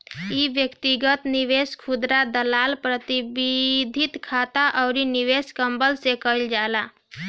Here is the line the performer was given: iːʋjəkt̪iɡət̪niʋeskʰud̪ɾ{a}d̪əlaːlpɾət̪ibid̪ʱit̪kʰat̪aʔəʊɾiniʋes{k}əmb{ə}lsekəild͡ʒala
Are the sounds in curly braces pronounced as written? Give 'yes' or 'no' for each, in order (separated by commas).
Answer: yes, yes, yes